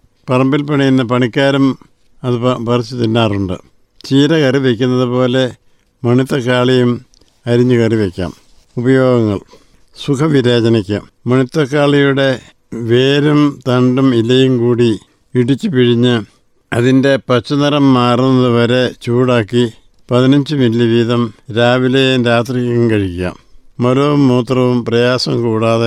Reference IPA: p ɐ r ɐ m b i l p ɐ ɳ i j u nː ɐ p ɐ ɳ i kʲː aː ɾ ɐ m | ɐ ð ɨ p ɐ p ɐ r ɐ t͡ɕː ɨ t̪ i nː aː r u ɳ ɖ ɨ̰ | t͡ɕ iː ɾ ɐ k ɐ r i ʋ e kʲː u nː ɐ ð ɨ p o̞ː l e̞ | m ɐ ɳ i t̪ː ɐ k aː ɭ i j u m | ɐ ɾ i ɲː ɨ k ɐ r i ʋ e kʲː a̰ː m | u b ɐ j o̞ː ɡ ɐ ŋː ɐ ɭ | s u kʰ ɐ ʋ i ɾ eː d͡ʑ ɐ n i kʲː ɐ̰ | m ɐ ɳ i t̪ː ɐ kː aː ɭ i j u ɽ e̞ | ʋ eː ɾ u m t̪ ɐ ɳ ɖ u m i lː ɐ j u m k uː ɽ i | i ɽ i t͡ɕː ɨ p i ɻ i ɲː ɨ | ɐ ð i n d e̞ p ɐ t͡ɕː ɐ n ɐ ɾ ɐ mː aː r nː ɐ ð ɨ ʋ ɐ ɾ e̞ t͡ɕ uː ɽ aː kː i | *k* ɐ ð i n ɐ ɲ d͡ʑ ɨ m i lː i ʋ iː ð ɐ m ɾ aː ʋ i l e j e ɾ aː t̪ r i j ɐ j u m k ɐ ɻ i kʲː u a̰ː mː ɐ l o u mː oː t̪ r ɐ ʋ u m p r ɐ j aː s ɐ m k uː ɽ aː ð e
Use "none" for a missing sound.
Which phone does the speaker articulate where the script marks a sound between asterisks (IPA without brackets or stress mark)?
p